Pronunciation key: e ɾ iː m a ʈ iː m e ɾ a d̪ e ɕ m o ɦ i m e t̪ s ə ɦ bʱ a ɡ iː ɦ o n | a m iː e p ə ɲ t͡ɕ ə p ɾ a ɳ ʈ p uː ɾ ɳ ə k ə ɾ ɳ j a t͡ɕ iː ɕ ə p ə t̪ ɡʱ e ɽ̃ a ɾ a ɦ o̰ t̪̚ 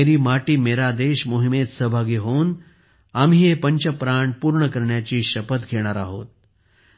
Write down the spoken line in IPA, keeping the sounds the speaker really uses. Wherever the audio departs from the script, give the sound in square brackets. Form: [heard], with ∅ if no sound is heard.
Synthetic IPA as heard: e ɾ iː m a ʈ iː m e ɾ a d̪ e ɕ m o ɦ i m e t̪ s ə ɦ bʱ a ɡ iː ɦ o n | a m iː e p ə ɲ t͡ɕ ə p ɾ a ɳ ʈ p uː ɾ ɳ ə k ə ɾ ɳ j a t͡ɕ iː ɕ ə p ə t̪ ɡʱ e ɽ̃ a ɾ a ɦ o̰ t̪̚